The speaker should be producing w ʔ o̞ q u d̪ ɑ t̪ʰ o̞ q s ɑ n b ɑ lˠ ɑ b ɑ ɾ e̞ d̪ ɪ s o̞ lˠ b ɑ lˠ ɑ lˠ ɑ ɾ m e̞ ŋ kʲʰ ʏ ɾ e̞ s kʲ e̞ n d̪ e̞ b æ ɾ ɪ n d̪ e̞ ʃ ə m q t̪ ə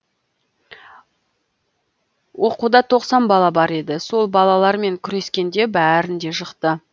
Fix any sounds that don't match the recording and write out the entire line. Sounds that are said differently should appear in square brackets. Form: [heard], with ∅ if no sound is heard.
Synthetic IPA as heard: w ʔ o̞ q u d̪ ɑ t̪ʰ o̞ q s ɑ n b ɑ lˠ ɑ b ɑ ɾ e̞ d̪ ɪ s o̞ lˠ b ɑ lˠ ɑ lˠ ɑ ɾ m e̞ ŋ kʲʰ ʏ ɾ e̞ s kʲ e̞ n d̪ e̞ b æ ɾ ɪ n d̪ e̞ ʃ ə [∅] q t̪ ə